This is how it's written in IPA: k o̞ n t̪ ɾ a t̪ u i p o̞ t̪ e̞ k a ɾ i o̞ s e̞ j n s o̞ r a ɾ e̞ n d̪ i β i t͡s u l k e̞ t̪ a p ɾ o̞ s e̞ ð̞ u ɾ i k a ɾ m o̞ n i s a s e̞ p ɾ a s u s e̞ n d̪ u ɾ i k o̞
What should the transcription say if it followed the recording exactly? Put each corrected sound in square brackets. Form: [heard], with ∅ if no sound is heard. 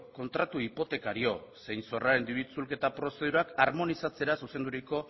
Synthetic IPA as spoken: k o̞ n t̪ ɾ a t̪ u i p o̞ t̪ e̞ k a ɾ i o̞ s e̞ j n s o̞ r a ɾ e̞ n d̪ i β i t͡s u l k e̞ t̪ a p ɾ o̞ s e̞ ð̞ u ɾ [a] k a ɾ m o̞ n i s a [t͡s] e̞ [∅] ɾ a s u s e̞ n d̪ u ɾ i k o̞

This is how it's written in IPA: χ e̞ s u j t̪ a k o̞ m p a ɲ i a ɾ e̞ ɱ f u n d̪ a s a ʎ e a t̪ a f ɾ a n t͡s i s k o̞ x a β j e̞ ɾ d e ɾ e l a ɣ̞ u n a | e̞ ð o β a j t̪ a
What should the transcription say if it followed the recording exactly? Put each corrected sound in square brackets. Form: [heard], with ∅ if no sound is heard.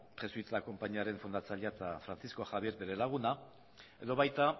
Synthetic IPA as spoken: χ e̞ s u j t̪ a k o̞ m p a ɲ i a ɾ e̞ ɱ f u n d̪ a [t͡s] a ʎ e a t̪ a f ɾ a n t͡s i s k o̞ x a β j e̞ ɾ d e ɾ e l a ɣ̞ u n a | e̞ ð o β a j t̪ a

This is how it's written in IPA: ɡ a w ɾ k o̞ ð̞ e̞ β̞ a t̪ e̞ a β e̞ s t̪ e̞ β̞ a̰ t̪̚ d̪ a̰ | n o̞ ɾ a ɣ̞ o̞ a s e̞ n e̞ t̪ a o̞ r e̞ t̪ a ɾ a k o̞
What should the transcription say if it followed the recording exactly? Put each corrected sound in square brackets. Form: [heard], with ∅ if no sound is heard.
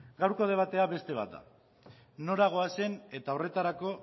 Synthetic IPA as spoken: ɡ a w ɾ k o̞ ð̞ e̞ β̞ a t̪ e̞ a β e̞ s t̪ e̞ β̞ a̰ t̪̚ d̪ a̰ | n o̞ ɾ a ɣ̞ o̞ a s e̞ n e̞ t̪ a o̞ r e̞ t̪ a ɾ a k o̞

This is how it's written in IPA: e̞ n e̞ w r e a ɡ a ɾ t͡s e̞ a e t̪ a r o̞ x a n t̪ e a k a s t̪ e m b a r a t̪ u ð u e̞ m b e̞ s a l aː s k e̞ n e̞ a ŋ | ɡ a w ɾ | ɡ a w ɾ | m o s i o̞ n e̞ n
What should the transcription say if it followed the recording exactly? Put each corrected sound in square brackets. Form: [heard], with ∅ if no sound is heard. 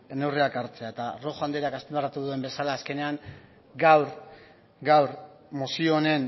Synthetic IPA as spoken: e̞ n e̞ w r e a [k] a ɾ t͡s e̞ a e t̪ a r o̞ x a n [d̪] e a k a s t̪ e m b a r a t̪ u ð u e̞ m b e̞ s a l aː s k e̞ n e̞ a ŋ | ɡ a w ɾ | ɡ a w ɾ | m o s i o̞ n e̞ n

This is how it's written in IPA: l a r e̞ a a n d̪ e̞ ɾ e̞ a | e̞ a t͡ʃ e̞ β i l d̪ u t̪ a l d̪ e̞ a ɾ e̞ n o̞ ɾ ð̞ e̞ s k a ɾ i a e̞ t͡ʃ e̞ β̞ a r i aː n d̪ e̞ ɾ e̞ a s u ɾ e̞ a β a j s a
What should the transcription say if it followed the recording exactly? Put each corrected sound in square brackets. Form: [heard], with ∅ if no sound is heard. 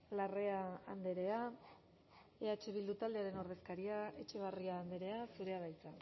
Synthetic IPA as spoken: l a r e̞ a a n d̪ e̞ ɾ e̞ a | e̞ a t͡ʃ e̞ β i l d̪ u t̪ a l d̪ e̞ a ɾ e̞ n o̞ ɾ ð̞ e̞ s k a ɾ i a e̞ t͡ʃ e̞ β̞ a r i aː n d̪ e̞ ɾ e̞ a s u ɾ e̞ a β a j [t͡s] a

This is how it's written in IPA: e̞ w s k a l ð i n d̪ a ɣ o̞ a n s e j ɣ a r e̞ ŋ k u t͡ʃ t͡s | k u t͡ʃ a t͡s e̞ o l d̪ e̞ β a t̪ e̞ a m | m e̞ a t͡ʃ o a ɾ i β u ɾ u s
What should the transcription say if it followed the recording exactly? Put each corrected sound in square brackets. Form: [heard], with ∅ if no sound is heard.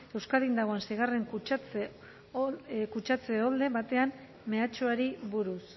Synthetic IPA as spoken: e̞ w s k a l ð i n d̪ a ɣ o̞ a n s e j ɣ a r e̞ ŋ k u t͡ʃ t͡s | k u t͡ʃ a t͡s e̞ o l d̪ e̞ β a t̪ e̞ a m | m e̞ a t͡ʃ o a ɾ i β u ɾ u s

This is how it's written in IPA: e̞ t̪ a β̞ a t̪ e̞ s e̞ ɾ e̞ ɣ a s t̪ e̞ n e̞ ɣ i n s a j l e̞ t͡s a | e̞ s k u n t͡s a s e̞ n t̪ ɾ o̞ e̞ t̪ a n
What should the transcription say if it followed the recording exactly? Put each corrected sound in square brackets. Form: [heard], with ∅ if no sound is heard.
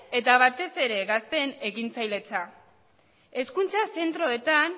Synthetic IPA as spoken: e̞ t̪ a β̞ a t̪ e̞ s e̞ ɾ e̞ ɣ a s t̪ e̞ n e̞ ɣ i n [t͡s] a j l e̞ t͡s a | e̞ s k u n t͡s a s e̞ n t̪ ɾ o̞ e̞ t̪ a n

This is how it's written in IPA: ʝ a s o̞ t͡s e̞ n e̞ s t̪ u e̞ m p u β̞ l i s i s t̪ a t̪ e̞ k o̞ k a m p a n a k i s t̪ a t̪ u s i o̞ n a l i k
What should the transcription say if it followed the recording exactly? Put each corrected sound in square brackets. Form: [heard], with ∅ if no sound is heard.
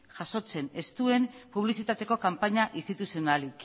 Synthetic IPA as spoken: ʝ a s o̞ t͡s e̞ n e̞ s t̪ u e̞ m p u β̞ l i s i [∅] t̪ a t̪ e̞ k o̞ k a m p a [ɲ] a [ʔ] i s t̪ [i] t̪ u s i o̞ n a l i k

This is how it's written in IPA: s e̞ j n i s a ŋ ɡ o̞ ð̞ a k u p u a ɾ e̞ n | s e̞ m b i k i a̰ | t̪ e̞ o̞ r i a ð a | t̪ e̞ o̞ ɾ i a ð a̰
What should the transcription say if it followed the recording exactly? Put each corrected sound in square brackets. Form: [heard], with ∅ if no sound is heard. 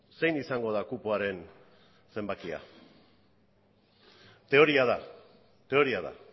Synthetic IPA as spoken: s e̞ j n i s a ŋ ɡ o̞ ð̞ a k u p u a ɾ e̞ n | s e̞ m b [a] k i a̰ | t̪ e̞ o̞ [ɾ] i a ð a | t̪ e̞ o̞ ɾ i a ð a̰

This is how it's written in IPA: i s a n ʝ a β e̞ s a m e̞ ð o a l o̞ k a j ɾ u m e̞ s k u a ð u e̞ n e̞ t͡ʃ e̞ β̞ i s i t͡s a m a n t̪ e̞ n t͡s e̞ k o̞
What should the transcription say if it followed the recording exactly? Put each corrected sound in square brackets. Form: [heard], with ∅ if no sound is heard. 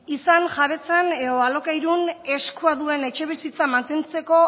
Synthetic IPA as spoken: i s a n ʝ a β e̞ [t͡s] a [n] e̞ ð o a l o̞ k a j ɾ u [n] e̞ s k u a ð u e̞ n e̞ t͡ʃ e̞ β̞ i s i t͡s a m a n t̪ e̞ n t͡s e̞ k o̞

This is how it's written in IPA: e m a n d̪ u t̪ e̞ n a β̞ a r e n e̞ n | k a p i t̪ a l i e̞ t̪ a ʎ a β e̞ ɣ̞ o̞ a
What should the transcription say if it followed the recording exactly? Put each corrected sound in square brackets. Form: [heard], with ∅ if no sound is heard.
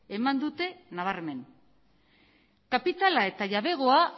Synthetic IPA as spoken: e m a n d̪ u t̪ e̞ n a β̞ a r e [m] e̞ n | k a p i t̪ a l [a] e̞ t̪ a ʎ a β e̞ ɣ̞ o̞ a

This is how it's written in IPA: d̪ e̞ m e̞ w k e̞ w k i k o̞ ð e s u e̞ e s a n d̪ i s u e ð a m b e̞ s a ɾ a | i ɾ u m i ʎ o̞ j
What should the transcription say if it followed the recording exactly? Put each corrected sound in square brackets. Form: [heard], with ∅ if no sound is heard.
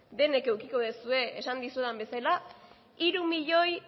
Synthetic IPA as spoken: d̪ e̞ [n] e̞ [∅] k e̞ w k i k o̞ ð e s u e̞ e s a n d̪ i s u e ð a m b e̞ s a [l] a | i ɾ u m i ʎ o̞ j

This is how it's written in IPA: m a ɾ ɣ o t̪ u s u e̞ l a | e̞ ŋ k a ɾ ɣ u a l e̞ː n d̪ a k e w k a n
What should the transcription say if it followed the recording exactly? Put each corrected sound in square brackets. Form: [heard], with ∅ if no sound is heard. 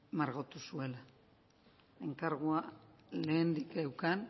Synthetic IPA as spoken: m a ɾ ɣ o t̪ u s u e̞ l a | e̞ ŋ k a ɾ ɣ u a l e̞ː n d̪ [i] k e w k a n

